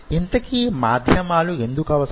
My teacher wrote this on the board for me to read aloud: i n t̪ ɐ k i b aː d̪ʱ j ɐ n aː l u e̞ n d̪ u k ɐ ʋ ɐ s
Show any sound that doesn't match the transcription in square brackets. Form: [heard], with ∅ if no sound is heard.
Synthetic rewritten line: i n t̪ ɐ k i [m] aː d̪ʱ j ɐ [m] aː l u e̞ n d̪ u k ɐ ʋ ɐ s